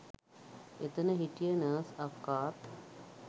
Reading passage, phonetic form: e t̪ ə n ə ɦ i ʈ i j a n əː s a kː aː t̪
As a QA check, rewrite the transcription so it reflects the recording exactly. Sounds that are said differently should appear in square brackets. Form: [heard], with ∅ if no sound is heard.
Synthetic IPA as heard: e t̪ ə n ə ɦ i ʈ i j [ə] n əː s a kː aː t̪